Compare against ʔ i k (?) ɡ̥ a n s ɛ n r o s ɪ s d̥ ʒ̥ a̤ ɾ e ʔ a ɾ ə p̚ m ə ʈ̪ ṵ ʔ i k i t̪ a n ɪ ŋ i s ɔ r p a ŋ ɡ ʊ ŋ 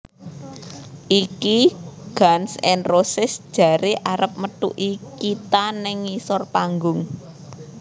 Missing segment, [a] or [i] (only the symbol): i